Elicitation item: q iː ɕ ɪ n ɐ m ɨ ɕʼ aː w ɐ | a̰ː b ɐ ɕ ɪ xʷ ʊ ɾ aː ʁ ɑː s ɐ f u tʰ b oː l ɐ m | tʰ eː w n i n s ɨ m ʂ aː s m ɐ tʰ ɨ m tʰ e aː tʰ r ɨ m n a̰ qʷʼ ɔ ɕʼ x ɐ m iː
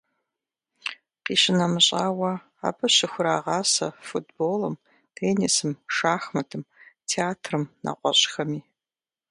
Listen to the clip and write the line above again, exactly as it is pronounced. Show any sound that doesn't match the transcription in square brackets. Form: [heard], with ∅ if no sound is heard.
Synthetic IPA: q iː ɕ ɪ n ɐ m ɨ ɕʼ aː w ɐ | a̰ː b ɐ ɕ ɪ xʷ ʊ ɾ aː ʁ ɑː s ɐ f u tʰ b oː l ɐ m | tʰ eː [∅] n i [∅] s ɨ m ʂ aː [x] m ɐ tʰ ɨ m tʰ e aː tʰ r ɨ m n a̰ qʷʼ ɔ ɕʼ x ɐ m iː